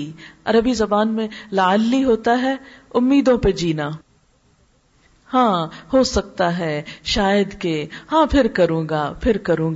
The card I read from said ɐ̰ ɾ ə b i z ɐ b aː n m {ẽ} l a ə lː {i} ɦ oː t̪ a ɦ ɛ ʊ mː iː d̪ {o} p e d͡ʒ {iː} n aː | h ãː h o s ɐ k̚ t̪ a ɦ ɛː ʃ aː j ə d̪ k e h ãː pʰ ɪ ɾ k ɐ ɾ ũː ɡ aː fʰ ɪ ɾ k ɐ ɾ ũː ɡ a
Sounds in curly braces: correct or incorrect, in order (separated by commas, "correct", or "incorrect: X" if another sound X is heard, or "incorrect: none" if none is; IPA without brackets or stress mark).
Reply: correct, correct, incorrect: õ, correct